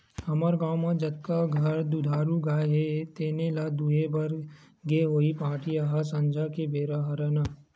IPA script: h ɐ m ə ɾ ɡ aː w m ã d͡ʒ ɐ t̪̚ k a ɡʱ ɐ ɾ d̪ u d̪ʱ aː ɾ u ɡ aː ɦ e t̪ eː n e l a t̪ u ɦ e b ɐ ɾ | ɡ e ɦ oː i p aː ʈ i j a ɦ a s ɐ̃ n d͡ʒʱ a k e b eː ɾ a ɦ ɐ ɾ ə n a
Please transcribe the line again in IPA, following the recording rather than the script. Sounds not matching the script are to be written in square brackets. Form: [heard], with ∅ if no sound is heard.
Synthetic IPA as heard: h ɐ m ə ɾ ɡ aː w m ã d͡ʒ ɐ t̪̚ k a ɡʱ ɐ ɾ d̪ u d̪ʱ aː ɾ u ɡ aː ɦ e t̪ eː n e l a [d̪] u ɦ e b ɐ ɾ | ɡ e ɦ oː i p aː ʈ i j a ɦ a s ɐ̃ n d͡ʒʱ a k e b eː ɾ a ɦ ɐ ɾ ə n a